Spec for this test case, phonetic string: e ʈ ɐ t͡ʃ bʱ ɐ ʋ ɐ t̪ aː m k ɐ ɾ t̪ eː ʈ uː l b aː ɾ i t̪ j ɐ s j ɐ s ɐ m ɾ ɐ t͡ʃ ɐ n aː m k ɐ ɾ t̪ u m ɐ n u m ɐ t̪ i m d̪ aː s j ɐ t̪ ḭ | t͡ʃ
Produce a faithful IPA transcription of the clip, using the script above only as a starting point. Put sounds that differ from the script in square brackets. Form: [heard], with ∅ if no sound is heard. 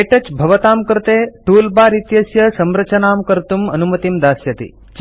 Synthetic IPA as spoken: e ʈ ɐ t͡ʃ bʱ ɐ ʋ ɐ t̪ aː m k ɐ ɾ t̪ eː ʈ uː l b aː ɾ i t̪ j ɐ s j ɐ s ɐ m ɾ ɐ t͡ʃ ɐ n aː m k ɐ ɾ t̪ u m ɐ n u m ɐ t̪ i m d̪ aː s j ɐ t̪ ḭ | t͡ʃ